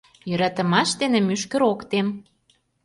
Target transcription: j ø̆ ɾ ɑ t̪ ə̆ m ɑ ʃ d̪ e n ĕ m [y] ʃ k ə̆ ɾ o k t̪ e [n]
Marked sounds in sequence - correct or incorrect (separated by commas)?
correct, incorrect